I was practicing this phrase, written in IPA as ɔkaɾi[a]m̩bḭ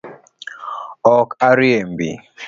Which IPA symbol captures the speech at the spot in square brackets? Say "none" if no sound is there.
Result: e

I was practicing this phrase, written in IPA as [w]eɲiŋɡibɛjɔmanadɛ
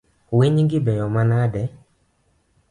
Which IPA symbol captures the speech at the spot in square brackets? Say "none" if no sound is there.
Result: w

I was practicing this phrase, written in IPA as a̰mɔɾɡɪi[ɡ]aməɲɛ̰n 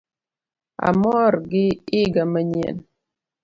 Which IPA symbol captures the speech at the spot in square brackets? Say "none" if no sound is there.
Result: ɡ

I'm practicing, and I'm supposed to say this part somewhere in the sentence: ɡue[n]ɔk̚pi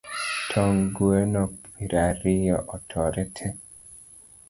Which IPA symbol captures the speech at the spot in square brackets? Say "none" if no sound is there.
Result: n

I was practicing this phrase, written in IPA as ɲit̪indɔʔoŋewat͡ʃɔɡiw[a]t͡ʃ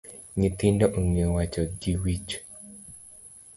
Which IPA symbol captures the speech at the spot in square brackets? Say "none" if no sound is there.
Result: i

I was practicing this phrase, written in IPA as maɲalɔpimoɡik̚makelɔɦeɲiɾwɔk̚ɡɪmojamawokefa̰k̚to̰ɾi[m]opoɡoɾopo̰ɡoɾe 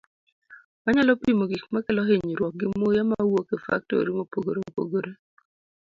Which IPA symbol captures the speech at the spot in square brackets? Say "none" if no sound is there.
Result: m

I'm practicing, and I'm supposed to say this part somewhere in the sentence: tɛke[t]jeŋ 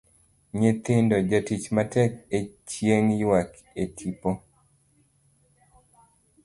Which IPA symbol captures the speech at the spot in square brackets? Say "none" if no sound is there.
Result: t͡ʃ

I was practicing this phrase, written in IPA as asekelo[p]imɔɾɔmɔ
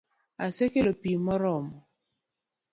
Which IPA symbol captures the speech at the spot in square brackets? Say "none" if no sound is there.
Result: p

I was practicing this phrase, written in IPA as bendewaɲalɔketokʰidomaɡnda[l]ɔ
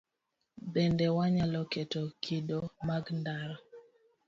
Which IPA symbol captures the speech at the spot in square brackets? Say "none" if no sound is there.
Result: ɾ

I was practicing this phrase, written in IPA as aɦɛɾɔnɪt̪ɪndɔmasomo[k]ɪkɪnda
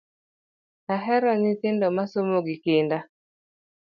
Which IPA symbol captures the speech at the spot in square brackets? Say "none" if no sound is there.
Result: ɡ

